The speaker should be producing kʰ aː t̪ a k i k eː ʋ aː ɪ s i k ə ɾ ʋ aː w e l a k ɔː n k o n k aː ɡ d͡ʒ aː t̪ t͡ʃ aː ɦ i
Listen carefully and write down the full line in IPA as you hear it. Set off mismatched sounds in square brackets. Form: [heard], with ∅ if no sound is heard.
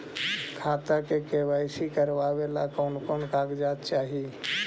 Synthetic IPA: kʰ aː t̪ a k [e] k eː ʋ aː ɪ s i k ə ɾ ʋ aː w e l a k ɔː n k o n k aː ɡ d͡ʒ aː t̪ t͡ʃ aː ɦ i